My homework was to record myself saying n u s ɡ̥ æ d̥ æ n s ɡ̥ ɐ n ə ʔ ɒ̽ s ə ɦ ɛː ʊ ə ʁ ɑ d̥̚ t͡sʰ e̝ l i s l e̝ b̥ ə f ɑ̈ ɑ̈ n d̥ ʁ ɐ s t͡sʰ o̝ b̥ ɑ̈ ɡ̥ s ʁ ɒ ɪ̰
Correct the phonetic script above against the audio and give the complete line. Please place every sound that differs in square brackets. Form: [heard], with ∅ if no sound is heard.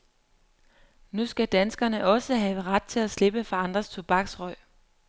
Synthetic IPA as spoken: n u s ɡ̥ æ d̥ æ n s ɡ̥ ɐ n ə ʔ ɒ̽ s ə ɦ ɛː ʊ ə ʁ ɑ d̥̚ t͡sʰ e̝ l [æ] s l e̝ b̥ ə f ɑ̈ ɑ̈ n d̥ ʁ ɐ s t͡sʰ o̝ b̥ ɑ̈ ɡ̥ s ʁ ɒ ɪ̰